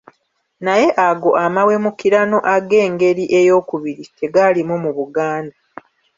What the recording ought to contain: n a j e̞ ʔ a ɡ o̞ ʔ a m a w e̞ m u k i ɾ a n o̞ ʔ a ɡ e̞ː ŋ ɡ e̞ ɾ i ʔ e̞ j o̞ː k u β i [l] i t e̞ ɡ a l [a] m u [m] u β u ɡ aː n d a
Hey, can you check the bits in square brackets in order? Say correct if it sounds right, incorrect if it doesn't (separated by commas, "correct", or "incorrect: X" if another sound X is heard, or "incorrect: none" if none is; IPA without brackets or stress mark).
incorrect: ɾ, incorrect: i, correct